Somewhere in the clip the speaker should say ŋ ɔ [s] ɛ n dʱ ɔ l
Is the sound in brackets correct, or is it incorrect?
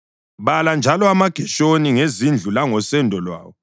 correct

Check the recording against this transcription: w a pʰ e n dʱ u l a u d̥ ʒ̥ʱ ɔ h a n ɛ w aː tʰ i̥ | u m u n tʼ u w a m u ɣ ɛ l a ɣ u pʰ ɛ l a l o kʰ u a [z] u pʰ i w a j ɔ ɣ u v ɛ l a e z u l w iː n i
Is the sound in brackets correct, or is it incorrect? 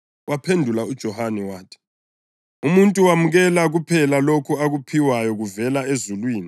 incorrect: ɣ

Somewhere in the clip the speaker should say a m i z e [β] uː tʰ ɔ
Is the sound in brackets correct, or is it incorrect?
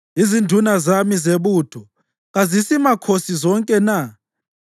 correct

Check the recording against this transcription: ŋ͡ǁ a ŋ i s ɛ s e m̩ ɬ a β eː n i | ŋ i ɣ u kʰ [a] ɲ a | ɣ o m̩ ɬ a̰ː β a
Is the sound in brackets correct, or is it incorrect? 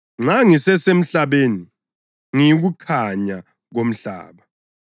correct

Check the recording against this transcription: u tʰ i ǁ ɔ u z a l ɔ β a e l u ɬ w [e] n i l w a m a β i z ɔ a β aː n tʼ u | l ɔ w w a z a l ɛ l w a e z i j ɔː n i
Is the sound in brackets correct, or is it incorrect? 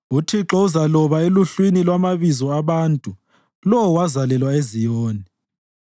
incorrect: i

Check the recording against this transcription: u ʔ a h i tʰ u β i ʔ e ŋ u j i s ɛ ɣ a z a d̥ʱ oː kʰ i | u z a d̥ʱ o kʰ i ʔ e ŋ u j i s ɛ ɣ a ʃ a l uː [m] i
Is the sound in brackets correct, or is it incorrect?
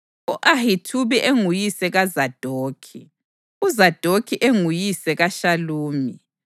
correct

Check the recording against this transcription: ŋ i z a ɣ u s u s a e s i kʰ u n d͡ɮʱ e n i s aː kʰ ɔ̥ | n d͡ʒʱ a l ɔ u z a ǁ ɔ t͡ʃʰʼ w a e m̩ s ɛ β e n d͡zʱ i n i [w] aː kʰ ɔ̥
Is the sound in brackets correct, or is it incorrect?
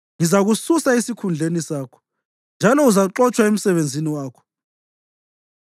correct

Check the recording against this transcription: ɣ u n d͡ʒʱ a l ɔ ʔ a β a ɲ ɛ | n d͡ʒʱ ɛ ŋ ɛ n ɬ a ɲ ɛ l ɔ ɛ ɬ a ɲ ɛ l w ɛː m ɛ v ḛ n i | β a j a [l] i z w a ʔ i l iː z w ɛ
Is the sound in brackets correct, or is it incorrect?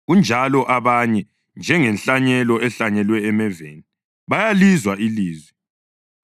correct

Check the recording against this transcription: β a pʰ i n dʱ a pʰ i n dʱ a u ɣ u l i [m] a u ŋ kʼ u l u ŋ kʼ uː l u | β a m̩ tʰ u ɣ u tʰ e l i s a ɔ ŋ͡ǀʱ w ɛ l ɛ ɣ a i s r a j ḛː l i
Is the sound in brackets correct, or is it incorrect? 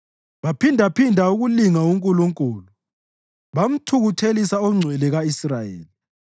incorrect: ŋ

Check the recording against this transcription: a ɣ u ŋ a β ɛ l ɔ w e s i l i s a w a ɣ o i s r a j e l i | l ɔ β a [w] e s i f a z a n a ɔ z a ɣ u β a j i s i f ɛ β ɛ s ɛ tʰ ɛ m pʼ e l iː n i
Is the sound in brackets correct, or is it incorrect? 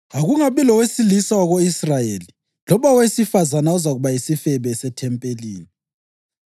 correct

